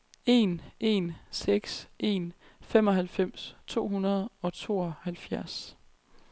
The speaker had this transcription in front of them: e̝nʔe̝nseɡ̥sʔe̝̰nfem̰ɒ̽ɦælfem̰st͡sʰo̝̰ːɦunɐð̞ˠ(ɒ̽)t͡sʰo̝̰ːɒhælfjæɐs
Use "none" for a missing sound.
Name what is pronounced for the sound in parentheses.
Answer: ɒ̽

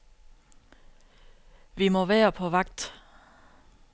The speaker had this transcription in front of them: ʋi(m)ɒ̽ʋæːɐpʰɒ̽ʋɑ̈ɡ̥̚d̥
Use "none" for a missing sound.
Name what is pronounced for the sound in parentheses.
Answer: m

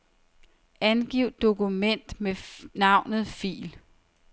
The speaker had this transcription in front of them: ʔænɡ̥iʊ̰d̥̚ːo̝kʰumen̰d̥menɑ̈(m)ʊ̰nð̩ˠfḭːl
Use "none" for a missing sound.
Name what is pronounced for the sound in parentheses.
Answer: none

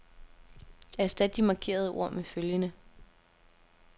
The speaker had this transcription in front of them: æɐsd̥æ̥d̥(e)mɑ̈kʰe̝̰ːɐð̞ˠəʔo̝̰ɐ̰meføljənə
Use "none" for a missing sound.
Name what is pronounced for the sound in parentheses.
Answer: i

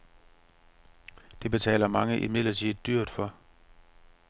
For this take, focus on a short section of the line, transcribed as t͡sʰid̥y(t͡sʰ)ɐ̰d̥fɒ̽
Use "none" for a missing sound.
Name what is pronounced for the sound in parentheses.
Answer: none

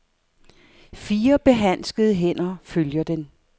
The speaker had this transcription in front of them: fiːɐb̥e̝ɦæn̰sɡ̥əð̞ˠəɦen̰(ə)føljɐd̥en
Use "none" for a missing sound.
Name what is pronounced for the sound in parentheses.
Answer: ɐ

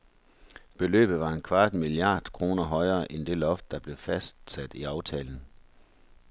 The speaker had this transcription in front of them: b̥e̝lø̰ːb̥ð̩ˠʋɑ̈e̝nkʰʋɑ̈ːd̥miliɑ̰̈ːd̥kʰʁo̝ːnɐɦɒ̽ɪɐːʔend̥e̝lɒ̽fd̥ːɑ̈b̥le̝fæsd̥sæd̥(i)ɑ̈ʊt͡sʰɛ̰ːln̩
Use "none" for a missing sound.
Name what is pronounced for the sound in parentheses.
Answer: i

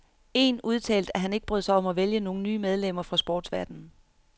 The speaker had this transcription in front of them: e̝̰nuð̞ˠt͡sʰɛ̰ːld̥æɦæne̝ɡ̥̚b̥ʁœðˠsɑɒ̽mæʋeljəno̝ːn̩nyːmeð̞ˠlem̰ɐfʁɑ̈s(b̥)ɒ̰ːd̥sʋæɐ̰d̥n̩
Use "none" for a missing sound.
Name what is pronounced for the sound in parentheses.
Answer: b̥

